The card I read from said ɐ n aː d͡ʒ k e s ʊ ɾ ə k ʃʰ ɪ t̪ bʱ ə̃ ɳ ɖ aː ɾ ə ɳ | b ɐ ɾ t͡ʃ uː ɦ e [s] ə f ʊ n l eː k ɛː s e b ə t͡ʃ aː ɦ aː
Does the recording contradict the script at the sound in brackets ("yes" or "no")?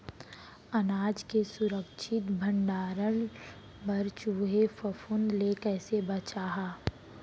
yes